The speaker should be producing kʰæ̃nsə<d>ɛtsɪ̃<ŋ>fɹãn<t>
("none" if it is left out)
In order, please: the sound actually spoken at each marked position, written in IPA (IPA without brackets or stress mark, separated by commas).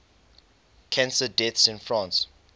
d, n, s